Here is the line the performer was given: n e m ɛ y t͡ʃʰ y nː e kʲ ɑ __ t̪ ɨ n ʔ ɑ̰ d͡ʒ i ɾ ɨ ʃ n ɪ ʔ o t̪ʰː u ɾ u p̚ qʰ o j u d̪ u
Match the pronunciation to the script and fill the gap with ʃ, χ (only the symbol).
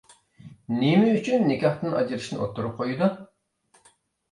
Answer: χ